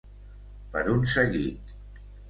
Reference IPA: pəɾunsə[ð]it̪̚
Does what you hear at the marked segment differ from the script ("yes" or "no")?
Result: yes